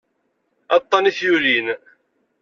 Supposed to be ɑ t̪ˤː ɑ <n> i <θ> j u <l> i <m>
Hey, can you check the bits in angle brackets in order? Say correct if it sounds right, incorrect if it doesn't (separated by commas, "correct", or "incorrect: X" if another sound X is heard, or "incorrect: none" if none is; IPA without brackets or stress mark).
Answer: correct, correct, correct, incorrect: n